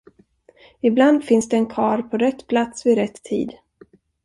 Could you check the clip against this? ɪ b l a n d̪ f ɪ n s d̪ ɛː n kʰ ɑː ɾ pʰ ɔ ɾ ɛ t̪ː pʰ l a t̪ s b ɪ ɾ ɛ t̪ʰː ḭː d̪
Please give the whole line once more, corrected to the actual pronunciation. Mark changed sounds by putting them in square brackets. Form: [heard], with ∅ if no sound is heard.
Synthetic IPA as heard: ɪ b l a n d̪ f ɪ n s d̪ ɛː n kʰ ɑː ɾ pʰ ɔ ɾ ɛ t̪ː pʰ l a t̪ s [v] ɪ ɾ ɛ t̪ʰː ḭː d̪